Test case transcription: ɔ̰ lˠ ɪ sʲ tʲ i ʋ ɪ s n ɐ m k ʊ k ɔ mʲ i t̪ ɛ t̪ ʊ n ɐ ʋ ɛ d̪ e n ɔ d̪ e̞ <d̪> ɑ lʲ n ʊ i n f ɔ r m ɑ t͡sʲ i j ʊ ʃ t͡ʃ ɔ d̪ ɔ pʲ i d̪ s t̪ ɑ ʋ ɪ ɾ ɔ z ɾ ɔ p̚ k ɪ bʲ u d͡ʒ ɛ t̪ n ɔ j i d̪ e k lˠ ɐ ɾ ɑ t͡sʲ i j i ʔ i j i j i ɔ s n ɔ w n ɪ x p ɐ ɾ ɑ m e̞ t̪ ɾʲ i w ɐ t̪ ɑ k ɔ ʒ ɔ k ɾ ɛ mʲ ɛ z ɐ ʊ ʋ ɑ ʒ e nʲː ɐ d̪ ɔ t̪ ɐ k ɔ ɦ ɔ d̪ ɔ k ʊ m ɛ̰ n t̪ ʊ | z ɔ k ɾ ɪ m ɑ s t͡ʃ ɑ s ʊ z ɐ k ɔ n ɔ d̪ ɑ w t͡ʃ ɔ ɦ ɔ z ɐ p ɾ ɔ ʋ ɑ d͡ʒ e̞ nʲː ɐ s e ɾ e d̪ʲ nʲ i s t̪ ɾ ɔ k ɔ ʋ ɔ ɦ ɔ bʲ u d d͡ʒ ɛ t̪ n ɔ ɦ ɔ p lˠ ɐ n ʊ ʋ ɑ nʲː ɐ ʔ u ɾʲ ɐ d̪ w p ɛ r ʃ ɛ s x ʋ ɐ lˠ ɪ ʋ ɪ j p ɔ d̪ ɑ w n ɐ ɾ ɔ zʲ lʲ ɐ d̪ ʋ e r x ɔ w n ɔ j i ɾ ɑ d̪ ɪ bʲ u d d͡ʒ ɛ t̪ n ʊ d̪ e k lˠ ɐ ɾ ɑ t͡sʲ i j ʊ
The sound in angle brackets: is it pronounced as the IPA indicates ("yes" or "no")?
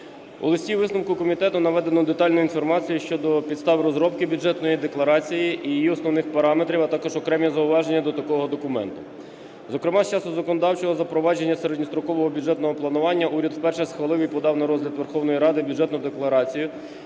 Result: no